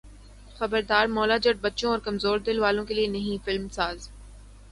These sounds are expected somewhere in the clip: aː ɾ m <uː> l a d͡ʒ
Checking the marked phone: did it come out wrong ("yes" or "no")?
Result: yes